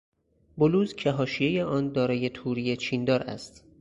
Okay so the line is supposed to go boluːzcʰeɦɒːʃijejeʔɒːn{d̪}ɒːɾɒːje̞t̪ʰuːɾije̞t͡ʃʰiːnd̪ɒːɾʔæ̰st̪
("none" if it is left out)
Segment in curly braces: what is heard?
d̪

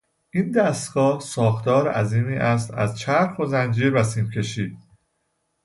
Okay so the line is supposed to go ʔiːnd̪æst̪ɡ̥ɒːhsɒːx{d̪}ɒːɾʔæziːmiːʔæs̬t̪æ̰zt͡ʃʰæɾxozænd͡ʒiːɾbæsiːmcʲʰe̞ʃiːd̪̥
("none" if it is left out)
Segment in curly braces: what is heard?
t̪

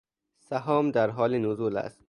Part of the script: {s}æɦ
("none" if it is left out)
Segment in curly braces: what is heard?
s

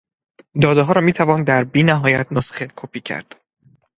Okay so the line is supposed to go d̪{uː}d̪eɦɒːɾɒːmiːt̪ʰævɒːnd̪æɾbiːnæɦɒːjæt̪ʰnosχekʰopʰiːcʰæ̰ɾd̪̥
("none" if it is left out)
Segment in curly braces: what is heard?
ɒː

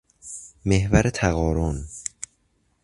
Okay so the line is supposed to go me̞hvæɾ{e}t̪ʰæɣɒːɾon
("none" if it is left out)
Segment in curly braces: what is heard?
e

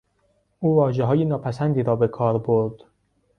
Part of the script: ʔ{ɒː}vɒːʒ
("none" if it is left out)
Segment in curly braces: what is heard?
uː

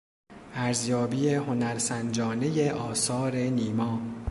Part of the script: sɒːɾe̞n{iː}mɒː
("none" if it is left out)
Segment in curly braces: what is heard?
iː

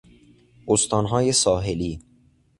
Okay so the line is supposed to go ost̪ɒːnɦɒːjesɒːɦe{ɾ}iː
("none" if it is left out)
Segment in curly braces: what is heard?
l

